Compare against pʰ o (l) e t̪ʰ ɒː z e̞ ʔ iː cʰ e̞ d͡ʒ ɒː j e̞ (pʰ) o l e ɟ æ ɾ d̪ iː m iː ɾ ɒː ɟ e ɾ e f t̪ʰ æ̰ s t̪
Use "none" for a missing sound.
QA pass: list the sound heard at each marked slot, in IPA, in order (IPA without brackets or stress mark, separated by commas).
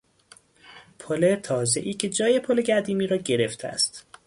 l, pʰ